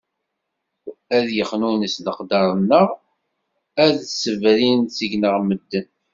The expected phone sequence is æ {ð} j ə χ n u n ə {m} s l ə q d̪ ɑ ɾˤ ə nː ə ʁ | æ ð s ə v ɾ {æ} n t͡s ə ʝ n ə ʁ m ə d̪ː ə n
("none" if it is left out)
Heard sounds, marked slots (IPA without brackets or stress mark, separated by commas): ð, none, i